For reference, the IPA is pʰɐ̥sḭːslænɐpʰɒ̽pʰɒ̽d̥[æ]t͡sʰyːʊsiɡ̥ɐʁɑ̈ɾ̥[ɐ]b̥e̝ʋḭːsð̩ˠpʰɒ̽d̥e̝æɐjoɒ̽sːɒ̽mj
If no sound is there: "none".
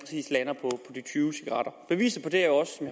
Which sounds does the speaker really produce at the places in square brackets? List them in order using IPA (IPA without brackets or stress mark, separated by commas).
i, ɐ